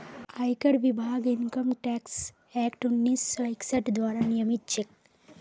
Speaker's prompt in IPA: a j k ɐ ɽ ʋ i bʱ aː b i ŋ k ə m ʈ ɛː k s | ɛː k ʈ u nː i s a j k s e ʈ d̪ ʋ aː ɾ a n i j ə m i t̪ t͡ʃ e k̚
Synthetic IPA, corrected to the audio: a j k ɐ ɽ ʋ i bʱ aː ɡ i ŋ k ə m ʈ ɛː k s | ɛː k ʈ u nː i s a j k s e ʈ d̪ ʋ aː ɾ a n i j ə m i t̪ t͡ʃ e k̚